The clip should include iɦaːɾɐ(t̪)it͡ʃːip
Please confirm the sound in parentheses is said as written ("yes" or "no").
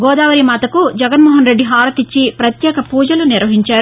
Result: yes